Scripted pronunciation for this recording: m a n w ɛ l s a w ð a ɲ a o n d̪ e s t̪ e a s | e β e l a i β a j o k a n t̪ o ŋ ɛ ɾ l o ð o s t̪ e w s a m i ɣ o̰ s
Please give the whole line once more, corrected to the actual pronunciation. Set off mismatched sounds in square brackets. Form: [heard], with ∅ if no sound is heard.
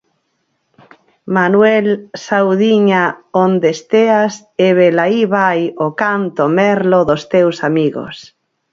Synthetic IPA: m a n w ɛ l s a w ð [i] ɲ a o n d̪ e s t̪ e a s | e β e l a i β a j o k a n t̪ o [m] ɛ ɾ l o ð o s t̪ e w s a m i ɣ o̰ s